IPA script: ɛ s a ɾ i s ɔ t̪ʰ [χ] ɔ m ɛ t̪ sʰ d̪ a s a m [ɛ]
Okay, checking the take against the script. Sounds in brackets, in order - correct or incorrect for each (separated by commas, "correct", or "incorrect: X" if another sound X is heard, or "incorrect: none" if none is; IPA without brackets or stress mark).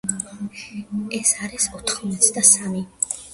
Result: correct, incorrect: i